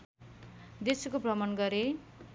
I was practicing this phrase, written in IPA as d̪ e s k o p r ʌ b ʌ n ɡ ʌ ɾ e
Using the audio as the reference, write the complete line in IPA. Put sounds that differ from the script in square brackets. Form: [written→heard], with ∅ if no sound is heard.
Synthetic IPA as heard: d̪ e s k o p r ʌ [b→m] ʌ n ɡ ʌ ɾ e